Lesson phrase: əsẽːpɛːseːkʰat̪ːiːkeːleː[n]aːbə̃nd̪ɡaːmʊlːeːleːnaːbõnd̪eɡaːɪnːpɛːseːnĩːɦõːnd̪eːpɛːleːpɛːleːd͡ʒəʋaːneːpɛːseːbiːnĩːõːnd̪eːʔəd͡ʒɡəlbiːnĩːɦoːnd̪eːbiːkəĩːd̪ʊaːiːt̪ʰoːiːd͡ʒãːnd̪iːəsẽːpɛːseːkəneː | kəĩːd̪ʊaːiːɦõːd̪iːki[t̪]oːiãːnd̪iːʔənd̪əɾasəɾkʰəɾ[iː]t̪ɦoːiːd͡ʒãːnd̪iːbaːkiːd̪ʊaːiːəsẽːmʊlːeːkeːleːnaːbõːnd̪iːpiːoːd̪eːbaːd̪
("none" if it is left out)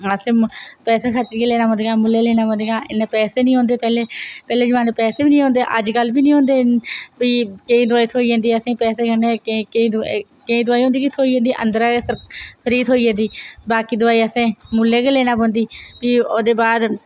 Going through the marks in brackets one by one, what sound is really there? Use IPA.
n, t̪ʰ, iː

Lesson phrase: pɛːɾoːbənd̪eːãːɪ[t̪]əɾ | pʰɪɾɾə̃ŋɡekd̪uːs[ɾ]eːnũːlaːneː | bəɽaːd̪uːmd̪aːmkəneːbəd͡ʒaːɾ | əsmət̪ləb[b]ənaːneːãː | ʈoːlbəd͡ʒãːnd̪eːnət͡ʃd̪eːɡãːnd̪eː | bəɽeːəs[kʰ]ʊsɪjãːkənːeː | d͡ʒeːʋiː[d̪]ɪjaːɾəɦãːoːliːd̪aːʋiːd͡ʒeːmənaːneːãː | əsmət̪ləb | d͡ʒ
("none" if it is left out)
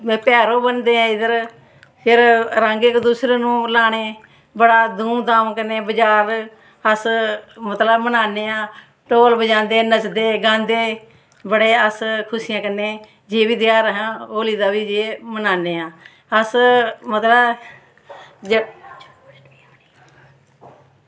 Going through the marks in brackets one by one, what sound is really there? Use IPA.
d̪, ɾ, m, kʰ, d̪

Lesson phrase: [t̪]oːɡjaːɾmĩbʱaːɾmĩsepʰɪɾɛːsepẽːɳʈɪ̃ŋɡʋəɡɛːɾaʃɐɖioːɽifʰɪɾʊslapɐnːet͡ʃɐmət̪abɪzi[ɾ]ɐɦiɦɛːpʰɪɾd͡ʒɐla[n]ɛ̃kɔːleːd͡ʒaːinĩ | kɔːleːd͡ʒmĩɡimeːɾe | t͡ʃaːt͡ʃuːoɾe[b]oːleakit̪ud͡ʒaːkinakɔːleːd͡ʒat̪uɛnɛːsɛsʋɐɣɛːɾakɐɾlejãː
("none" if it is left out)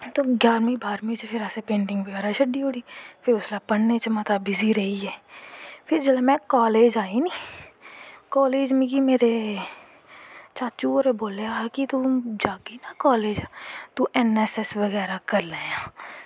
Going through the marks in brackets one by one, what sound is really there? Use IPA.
t̪, ɾ, m, b

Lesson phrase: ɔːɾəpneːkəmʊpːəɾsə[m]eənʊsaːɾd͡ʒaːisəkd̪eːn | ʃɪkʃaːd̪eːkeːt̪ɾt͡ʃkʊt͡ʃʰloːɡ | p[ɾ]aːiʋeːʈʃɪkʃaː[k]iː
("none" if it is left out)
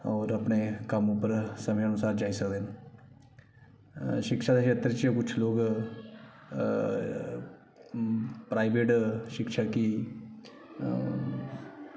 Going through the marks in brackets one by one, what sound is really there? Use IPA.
m, ɾ, k

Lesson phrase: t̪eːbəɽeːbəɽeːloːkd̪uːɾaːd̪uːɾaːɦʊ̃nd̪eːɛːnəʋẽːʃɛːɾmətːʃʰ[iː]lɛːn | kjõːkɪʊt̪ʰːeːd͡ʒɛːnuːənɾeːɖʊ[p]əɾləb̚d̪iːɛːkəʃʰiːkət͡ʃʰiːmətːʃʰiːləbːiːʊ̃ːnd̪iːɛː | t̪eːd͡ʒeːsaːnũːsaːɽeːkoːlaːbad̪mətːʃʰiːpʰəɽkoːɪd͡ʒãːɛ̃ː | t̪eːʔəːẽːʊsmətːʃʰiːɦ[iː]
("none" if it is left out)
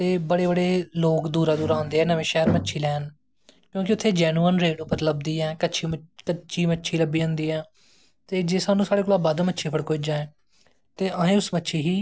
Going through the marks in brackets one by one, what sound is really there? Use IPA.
iː, p, iː

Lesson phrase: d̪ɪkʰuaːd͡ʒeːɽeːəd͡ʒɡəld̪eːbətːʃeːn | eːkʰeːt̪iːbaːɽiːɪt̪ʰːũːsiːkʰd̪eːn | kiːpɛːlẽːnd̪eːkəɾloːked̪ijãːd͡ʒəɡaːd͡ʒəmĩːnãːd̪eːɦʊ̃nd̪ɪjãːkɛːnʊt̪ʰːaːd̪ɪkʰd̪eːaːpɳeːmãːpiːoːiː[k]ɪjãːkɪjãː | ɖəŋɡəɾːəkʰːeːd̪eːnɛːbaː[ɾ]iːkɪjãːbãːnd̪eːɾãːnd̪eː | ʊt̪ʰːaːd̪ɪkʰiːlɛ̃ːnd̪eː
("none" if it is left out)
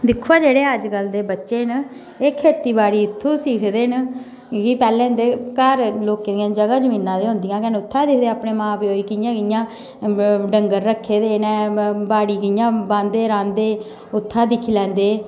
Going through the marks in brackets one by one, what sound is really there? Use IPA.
k, ɽ

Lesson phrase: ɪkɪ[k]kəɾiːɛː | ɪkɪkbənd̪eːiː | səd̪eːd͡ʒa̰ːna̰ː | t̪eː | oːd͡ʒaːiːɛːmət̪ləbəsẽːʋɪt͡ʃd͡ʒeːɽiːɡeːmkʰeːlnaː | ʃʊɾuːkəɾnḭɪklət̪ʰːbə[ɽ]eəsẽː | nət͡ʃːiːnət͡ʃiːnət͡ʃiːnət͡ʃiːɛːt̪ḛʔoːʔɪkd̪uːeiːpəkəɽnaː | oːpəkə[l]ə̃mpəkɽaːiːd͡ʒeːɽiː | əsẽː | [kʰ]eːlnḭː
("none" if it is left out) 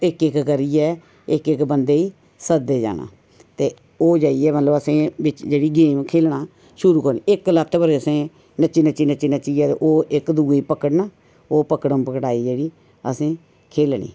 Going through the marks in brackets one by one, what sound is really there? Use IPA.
k, ɾ, ɽ, kʰ

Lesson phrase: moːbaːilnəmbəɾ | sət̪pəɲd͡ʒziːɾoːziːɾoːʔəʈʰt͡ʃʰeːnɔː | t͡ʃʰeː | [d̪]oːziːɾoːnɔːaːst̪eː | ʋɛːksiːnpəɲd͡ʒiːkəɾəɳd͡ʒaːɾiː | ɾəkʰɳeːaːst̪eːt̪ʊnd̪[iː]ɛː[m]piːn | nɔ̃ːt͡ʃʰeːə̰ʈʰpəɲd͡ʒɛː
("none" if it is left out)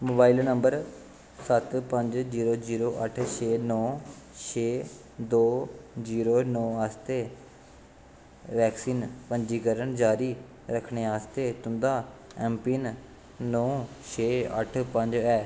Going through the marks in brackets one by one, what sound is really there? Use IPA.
d̪, aː, m

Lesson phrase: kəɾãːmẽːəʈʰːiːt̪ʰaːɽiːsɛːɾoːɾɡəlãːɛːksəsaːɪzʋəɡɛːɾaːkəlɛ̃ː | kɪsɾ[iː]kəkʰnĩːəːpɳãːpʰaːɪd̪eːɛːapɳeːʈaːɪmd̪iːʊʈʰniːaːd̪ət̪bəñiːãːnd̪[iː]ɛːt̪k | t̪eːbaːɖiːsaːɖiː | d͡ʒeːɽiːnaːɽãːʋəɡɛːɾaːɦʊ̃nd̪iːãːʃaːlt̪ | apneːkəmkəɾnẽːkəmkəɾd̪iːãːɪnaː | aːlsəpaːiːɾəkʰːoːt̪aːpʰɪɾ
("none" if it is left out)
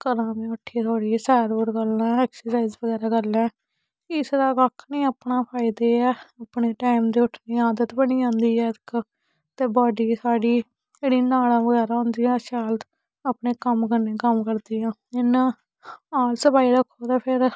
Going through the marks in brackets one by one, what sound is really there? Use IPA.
aː, iː

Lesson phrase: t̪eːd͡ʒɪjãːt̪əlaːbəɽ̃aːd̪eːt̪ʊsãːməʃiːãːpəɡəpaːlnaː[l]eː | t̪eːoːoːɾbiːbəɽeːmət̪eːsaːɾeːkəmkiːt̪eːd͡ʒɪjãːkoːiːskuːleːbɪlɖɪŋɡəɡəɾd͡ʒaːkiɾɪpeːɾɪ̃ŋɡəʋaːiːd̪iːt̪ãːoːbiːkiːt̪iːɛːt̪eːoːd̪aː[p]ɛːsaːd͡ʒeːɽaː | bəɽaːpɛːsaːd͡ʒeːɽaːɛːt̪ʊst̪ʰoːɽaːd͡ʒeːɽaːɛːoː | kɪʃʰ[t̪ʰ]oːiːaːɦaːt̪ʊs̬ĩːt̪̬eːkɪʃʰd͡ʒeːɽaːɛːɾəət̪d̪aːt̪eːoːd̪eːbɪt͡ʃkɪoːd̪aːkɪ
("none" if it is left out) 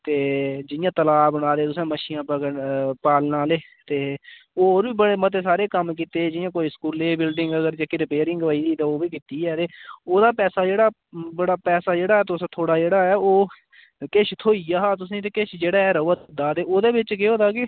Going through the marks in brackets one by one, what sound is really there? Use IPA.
l, p, t̪ʰ

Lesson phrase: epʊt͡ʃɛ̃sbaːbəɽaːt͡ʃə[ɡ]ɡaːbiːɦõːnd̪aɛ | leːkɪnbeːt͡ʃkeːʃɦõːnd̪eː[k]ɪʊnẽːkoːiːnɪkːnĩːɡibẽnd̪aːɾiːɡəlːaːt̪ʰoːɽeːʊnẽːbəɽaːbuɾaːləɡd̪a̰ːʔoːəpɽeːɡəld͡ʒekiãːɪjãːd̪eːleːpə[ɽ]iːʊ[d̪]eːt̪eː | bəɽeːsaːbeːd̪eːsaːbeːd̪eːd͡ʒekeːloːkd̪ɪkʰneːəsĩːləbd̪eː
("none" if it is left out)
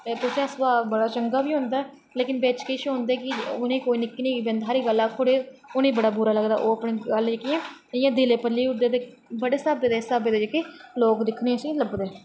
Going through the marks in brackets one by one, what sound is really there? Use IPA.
ŋ, k, l, d̪

